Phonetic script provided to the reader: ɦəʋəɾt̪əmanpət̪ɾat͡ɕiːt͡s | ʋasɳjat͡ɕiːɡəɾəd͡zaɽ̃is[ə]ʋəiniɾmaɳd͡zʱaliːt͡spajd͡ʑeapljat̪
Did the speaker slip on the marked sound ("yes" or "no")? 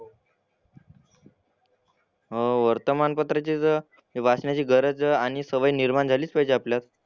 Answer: no